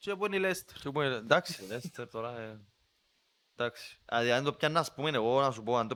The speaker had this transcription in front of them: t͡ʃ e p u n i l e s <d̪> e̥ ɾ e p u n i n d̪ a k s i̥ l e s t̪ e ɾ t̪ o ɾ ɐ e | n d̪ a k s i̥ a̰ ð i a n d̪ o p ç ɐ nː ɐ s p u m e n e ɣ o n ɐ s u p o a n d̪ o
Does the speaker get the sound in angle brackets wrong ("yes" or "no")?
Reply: yes